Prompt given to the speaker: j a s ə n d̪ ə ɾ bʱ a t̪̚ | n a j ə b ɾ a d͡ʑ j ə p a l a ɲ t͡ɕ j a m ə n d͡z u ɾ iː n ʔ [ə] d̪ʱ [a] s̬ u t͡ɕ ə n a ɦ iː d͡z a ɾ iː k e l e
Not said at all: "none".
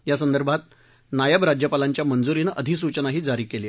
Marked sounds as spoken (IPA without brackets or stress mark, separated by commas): ə, i